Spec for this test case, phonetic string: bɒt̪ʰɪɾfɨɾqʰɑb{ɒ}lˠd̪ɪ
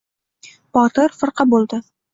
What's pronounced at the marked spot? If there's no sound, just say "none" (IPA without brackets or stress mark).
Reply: o